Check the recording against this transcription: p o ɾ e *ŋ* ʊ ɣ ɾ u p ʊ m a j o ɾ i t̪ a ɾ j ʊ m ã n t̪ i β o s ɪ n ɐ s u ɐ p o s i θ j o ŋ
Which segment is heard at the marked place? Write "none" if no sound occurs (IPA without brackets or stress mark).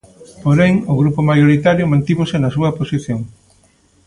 ŋ